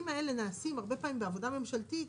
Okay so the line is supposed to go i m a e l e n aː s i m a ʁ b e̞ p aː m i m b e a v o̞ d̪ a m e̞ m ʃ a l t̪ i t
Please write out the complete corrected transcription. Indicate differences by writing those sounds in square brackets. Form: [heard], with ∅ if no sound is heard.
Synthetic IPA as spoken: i m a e l e n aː s i m a ʁ b e̞ p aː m i m b e a v o̞ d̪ a m e̞ m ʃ a l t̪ i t